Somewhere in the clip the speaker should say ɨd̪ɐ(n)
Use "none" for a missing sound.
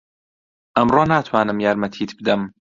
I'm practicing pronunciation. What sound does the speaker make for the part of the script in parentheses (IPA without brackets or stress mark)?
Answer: m